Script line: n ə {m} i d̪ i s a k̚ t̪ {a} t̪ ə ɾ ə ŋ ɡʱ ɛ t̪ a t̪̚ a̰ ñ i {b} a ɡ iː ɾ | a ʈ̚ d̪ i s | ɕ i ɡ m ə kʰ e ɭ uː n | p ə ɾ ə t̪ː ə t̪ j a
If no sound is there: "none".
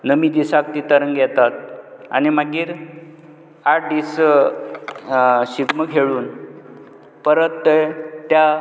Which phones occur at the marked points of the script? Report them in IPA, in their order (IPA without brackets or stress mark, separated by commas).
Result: m, i, m